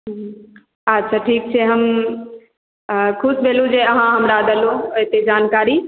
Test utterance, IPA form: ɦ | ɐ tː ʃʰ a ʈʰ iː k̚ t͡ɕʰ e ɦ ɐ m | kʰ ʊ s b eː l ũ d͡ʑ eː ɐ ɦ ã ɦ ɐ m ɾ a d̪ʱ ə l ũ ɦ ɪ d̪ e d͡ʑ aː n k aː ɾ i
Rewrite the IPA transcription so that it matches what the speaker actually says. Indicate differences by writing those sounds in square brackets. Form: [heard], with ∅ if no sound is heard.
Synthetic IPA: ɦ | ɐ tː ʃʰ a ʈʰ iː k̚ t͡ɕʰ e ɦ ɐ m | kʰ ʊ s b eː l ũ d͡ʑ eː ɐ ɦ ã ɦ ɐ m ɾ a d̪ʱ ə l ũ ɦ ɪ [t̪] e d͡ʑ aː n k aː ɾ i